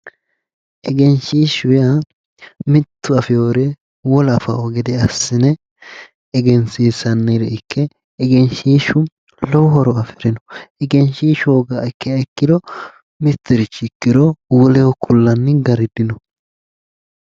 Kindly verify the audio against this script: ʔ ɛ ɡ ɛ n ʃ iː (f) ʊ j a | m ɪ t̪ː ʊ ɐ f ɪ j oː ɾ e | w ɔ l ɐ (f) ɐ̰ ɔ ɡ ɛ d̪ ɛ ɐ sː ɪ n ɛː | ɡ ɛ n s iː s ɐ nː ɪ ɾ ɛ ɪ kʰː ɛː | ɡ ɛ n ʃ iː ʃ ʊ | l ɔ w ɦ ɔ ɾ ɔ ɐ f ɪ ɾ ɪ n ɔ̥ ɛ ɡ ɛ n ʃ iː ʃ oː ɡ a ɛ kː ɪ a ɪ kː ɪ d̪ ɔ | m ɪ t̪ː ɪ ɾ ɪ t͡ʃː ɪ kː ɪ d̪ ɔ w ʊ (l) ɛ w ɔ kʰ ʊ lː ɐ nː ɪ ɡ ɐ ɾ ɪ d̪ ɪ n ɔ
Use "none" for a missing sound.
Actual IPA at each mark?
ʃ, f, l

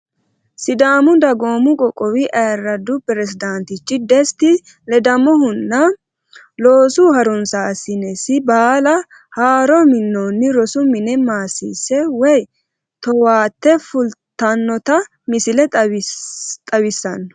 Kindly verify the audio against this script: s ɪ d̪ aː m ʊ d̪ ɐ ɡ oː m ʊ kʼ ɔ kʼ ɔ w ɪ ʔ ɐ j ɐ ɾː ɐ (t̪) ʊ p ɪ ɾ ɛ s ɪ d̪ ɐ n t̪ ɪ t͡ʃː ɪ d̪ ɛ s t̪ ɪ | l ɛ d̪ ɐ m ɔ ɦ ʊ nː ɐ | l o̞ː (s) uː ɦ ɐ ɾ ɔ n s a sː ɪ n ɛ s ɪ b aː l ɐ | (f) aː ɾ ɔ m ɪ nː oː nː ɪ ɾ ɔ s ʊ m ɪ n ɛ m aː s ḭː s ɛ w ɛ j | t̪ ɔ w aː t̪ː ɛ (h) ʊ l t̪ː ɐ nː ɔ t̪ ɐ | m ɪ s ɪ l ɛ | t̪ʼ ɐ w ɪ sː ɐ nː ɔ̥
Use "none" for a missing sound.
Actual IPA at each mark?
d̪, s, h, f

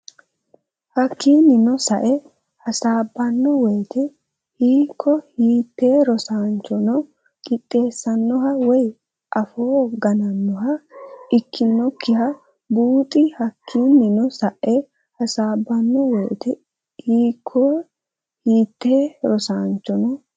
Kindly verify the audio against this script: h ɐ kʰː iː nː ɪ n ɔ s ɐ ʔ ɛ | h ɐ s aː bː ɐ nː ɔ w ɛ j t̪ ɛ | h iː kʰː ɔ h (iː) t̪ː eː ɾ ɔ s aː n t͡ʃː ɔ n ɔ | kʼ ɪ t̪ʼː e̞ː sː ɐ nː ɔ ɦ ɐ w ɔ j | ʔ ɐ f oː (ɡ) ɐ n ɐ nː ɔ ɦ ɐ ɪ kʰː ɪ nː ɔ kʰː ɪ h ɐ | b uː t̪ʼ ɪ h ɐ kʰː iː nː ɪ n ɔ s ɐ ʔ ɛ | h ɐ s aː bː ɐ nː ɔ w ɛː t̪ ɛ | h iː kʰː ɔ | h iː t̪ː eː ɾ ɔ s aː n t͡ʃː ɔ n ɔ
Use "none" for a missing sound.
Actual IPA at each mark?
iː, ɡ

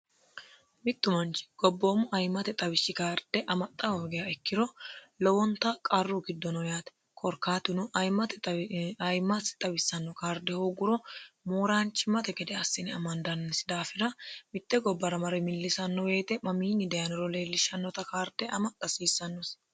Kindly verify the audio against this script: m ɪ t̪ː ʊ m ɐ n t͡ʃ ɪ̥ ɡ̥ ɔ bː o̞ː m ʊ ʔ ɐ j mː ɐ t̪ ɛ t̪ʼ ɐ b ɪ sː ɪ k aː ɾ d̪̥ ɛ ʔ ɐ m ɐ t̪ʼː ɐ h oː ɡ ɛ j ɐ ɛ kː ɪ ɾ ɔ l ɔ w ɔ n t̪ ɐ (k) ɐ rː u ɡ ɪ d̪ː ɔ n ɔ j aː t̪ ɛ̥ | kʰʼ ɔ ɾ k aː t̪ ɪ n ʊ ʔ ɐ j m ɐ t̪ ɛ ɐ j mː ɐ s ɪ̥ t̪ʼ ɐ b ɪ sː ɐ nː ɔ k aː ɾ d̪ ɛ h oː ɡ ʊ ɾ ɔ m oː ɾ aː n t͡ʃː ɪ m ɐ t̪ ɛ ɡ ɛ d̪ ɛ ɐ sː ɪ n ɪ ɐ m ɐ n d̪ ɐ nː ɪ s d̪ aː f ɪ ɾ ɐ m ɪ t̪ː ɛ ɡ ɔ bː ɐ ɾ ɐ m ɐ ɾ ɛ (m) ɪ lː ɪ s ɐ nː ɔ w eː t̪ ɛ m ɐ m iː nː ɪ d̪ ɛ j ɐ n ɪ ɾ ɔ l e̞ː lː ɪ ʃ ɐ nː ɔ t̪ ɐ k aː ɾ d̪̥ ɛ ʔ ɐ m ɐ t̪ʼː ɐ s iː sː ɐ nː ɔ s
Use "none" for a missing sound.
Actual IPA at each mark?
kʼ, m

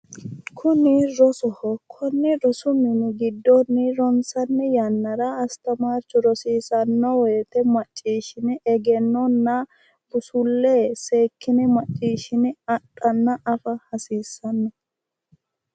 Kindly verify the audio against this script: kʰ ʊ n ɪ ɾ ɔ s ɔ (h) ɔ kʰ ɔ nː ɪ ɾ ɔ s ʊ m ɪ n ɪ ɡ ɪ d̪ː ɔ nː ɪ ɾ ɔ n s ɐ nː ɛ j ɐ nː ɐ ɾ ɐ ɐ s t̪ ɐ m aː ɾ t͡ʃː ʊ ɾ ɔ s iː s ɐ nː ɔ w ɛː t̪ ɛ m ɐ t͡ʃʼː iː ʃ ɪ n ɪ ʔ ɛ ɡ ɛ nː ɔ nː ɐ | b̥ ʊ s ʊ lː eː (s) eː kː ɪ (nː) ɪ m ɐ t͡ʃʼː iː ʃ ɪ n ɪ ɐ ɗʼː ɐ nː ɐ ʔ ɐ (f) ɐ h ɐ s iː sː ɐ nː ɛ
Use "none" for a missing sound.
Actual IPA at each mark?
h, s, n, f

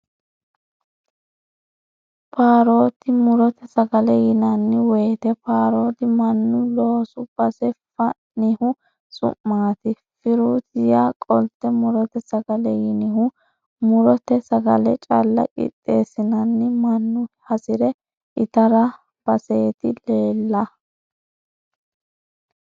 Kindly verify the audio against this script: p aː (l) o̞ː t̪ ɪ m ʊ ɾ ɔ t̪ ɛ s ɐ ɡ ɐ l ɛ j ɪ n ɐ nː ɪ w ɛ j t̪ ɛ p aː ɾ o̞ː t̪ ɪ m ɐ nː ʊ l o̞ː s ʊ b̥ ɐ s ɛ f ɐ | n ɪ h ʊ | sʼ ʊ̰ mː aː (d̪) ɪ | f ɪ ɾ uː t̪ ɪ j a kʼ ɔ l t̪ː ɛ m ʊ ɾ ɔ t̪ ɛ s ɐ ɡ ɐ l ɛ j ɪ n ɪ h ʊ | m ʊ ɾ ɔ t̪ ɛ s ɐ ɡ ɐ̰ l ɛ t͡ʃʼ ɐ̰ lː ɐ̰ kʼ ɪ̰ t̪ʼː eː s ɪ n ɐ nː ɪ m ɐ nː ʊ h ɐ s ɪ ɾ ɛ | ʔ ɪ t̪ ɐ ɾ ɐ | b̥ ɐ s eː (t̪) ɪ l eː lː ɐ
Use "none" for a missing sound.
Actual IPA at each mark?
ɾ, t̪, t̪

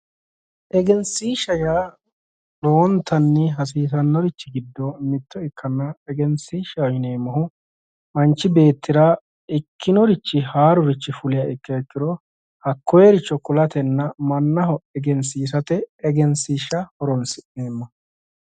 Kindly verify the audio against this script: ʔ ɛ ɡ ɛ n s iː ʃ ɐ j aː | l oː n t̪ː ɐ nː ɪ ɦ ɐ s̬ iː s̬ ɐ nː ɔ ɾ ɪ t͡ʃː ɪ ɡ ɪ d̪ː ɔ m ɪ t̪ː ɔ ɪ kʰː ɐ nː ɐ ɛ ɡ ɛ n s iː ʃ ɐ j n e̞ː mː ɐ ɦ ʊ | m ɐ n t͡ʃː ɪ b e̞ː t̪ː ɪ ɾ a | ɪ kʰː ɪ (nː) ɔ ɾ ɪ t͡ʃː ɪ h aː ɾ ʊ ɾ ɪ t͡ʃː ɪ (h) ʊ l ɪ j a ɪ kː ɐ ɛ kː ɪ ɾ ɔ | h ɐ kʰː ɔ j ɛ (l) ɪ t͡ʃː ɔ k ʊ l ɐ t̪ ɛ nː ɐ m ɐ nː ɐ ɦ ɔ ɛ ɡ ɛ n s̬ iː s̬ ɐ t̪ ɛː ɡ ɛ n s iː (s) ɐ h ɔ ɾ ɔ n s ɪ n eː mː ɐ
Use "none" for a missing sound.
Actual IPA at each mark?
n, f, ɾ, ʃ

